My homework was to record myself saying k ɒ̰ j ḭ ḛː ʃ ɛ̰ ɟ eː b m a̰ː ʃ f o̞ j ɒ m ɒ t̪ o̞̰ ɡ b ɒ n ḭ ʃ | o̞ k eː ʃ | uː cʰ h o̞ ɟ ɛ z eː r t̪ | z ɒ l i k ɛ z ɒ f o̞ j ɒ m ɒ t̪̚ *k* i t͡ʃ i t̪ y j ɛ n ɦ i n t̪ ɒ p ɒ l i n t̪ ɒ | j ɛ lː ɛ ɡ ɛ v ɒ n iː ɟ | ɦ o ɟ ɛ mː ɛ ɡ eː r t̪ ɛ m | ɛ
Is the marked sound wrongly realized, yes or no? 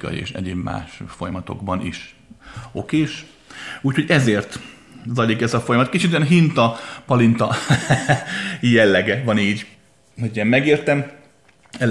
no